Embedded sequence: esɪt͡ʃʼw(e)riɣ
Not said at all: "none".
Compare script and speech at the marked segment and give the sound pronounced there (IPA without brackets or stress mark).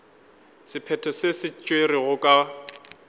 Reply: e